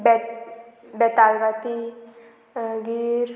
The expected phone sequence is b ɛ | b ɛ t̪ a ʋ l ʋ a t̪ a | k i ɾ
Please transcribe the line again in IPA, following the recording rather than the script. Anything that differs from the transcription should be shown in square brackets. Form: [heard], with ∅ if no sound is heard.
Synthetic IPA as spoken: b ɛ | b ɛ t̪ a [∅] l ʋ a t̪ [i] | [ɡ] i ɾ